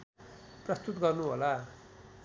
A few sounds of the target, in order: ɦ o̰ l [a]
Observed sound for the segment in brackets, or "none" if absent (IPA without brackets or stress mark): a